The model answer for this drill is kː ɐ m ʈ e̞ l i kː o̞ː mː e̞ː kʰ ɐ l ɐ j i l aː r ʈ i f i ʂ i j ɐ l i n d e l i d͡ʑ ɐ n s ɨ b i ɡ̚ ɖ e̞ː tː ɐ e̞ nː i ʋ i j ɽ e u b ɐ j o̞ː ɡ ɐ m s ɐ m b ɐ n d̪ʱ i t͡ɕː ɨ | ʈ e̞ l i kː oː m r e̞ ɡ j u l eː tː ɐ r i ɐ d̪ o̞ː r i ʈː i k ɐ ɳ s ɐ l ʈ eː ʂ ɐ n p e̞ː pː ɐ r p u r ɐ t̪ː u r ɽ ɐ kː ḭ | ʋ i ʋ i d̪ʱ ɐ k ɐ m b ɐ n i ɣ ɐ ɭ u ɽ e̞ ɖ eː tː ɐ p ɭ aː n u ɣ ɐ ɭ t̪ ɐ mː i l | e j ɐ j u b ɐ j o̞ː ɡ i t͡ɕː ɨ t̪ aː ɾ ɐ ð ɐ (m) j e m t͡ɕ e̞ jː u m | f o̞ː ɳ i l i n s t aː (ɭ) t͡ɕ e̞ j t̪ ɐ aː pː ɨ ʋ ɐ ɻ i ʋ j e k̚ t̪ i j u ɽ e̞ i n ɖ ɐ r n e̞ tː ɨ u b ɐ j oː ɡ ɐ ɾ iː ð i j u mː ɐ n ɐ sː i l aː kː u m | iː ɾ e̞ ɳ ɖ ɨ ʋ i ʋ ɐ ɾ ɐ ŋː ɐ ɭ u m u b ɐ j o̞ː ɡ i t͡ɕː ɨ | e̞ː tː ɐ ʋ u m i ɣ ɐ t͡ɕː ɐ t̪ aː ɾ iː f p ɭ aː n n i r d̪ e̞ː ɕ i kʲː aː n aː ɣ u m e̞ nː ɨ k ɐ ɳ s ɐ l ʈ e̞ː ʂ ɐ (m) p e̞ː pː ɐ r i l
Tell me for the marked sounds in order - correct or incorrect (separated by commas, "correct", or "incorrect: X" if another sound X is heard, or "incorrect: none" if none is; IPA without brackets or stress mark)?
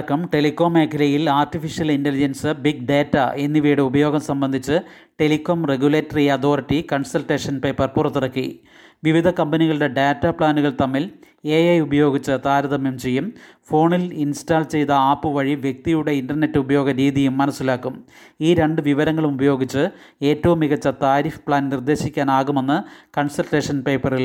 correct, incorrect: l, incorrect: n